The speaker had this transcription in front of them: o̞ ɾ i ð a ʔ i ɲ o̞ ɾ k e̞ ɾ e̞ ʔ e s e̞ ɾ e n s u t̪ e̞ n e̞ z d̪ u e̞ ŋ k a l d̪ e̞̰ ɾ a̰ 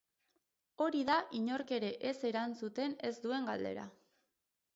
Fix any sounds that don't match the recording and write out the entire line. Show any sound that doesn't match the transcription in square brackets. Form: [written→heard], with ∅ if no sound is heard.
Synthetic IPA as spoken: o̞ ɾ i ð a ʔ i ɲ o̞ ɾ k e̞ ɾ e̞ ʔ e s e̞ ɾ [e→a] n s u t̪ e̞ n e̞ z d̪ u e̞ ŋ [k→ɡ] a l d̪ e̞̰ ɾ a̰